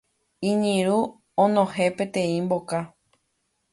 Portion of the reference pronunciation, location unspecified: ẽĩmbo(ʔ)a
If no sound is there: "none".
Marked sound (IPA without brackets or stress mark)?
k